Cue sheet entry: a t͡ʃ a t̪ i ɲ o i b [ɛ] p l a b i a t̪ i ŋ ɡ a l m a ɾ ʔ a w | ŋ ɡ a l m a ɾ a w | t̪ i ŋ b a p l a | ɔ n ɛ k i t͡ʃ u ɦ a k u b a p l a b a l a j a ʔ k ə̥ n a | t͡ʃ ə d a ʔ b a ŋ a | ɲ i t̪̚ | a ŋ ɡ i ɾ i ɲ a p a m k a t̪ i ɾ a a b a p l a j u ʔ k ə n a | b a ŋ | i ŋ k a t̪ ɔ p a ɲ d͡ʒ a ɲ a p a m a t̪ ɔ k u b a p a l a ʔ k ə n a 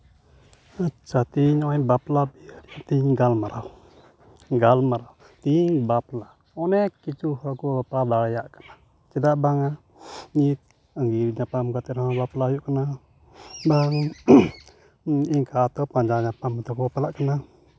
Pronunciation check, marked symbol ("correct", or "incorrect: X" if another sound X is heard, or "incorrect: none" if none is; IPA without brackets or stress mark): incorrect: a